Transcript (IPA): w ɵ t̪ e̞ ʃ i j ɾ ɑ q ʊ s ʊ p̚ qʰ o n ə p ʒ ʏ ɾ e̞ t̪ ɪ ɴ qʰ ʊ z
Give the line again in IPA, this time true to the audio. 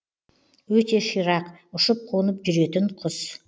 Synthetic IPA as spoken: w ɵ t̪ e̞ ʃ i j ɾ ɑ q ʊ ʃ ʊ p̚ qʰ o n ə p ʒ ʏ ɾ e̞ t̪ ɪ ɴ qʰ ʊ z